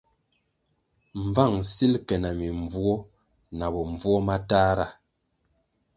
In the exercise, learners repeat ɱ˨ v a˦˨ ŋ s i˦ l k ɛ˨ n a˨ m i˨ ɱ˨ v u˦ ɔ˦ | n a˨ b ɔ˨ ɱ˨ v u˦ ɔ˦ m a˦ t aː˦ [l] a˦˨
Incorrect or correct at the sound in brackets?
incorrect: ɾ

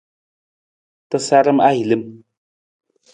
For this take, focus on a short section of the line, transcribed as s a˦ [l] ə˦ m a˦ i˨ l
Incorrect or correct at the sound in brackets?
incorrect: ɾ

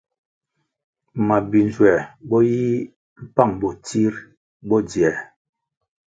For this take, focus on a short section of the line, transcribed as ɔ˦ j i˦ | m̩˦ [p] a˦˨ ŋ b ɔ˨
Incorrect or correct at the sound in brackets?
correct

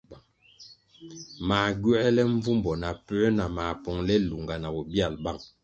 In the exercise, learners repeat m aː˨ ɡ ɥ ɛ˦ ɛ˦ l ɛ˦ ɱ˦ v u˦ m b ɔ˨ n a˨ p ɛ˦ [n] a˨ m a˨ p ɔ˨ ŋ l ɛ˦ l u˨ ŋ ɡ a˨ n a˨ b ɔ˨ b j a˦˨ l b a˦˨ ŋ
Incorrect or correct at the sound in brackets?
correct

